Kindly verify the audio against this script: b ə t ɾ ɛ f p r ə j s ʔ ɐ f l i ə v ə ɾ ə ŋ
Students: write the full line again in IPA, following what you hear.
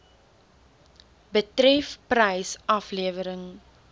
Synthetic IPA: b ə t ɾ ɛ f p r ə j s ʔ ɐ f l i ə v ə ɾ ə ŋ